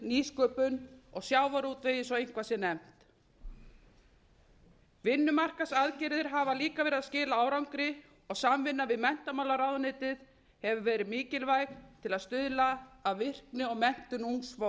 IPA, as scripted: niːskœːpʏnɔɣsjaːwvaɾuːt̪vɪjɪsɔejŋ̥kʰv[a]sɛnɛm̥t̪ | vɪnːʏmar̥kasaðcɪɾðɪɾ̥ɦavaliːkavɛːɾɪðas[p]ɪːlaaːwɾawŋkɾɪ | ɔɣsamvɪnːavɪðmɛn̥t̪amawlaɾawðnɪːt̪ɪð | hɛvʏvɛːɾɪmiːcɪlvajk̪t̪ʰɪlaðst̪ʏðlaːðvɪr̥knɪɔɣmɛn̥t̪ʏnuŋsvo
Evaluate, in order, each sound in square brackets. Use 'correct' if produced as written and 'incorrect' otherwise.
correct, incorrect

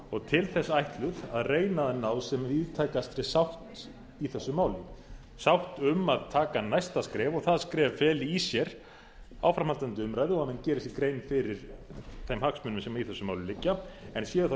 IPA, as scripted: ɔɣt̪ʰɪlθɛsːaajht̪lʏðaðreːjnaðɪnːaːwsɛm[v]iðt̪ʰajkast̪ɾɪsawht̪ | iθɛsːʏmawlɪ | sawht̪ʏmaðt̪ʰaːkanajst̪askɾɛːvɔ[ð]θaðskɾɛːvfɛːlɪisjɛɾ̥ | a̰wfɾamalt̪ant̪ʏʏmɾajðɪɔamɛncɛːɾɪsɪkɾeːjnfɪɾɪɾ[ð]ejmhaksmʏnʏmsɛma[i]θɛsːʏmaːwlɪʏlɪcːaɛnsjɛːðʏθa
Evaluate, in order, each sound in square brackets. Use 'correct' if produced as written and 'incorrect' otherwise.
correct, incorrect, incorrect, correct

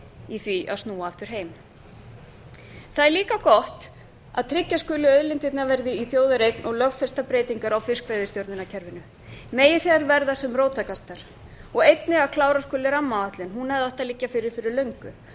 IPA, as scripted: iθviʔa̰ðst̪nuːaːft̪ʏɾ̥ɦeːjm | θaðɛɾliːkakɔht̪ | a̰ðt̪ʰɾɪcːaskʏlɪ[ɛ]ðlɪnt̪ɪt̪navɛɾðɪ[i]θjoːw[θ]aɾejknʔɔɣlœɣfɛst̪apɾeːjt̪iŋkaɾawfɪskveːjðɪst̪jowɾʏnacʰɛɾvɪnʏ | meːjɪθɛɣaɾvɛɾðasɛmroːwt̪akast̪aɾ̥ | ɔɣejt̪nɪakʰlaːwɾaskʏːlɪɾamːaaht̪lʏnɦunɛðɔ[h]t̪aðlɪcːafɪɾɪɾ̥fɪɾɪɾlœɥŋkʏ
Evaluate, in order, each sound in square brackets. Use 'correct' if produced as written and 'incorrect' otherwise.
incorrect, correct, incorrect, correct

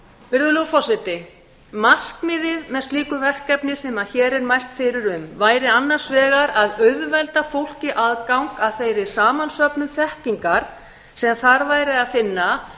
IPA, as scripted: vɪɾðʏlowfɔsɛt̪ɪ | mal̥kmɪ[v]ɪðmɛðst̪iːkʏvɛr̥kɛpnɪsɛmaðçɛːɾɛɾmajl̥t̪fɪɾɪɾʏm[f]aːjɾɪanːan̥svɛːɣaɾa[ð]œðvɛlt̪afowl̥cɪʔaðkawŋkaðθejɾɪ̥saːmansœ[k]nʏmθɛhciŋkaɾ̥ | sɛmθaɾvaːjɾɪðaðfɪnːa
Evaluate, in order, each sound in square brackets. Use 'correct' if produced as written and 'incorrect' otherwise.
incorrect, incorrect, correct, incorrect

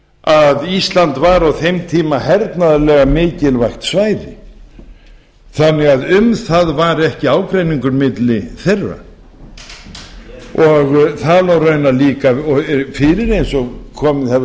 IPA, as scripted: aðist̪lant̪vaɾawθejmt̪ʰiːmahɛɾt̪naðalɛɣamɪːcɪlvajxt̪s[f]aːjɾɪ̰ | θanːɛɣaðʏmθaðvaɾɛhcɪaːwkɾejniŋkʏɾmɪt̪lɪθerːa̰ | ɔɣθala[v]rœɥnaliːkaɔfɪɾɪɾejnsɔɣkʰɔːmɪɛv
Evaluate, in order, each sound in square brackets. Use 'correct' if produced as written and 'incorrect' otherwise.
incorrect, incorrect

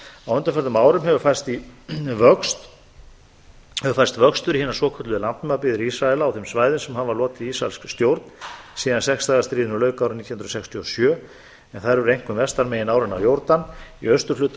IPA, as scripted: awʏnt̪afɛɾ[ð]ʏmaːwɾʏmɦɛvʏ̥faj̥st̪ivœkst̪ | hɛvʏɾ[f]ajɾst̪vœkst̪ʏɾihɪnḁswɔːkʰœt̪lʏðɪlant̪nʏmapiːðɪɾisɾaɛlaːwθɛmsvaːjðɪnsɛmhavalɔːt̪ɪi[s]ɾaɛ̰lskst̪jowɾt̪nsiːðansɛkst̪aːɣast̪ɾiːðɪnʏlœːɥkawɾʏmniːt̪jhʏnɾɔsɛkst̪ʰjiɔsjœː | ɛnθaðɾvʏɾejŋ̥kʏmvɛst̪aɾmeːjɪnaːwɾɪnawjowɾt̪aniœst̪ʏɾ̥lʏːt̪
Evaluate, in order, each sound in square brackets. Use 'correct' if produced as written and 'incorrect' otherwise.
correct, correct, correct

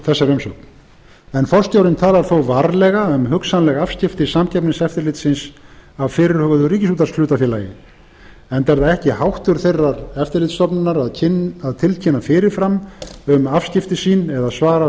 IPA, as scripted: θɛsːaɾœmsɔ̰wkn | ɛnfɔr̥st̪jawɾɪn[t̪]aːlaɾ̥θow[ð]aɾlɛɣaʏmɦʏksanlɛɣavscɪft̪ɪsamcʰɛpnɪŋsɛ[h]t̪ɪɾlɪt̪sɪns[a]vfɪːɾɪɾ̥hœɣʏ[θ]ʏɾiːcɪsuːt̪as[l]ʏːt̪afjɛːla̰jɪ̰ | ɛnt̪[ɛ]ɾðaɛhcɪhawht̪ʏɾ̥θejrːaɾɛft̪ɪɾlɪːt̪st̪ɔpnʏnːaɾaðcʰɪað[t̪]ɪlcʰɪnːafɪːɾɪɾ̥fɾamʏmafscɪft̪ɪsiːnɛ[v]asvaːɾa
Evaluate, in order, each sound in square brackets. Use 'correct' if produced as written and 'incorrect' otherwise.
incorrect, incorrect, incorrect, correct, incorrect, correct, correct, incorrect, incorrect

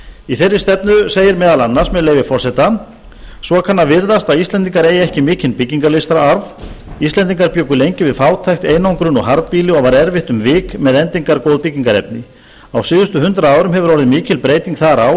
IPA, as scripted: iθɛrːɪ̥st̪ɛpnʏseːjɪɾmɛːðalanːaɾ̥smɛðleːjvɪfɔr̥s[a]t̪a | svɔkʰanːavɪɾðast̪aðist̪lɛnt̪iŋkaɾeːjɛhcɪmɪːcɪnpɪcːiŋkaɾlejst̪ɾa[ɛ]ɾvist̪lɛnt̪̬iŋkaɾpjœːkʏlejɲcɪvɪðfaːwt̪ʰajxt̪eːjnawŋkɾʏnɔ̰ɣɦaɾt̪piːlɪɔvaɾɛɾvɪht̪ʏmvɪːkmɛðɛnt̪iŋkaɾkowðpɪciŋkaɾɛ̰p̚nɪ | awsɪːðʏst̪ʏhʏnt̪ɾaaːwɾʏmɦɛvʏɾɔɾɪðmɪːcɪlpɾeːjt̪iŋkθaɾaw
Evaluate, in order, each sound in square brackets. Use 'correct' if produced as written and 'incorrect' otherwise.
incorrect, incorrect

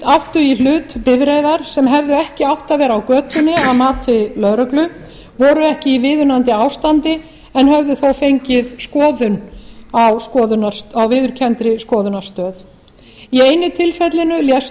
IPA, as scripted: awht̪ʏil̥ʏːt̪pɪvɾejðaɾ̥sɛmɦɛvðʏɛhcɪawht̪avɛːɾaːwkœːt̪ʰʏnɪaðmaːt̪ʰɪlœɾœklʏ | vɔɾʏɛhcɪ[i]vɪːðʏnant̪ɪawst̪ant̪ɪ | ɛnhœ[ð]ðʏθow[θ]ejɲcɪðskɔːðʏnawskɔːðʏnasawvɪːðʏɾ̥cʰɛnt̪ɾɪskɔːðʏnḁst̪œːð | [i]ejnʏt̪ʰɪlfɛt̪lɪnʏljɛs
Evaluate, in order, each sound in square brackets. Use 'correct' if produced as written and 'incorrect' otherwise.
correct, incorrect, incorrect, correct

